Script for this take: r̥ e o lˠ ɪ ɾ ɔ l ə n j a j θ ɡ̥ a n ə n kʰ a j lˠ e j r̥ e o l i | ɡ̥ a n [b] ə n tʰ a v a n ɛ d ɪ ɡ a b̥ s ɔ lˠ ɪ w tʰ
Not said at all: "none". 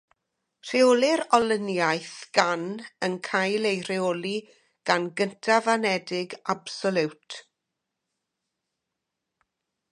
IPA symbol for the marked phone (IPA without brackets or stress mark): ɡ